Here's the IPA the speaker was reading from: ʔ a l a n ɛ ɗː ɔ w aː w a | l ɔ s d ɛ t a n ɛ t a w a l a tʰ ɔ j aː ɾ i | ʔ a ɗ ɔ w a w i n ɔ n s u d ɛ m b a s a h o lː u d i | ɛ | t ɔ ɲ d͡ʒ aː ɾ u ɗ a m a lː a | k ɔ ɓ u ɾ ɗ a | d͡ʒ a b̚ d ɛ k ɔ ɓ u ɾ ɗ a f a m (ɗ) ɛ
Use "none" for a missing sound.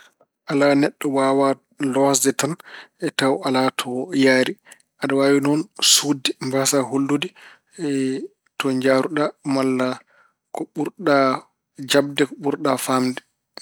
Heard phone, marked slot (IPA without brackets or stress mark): d